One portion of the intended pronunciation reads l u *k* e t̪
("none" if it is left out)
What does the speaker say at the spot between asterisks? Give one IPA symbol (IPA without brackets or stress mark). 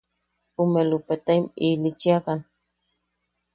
p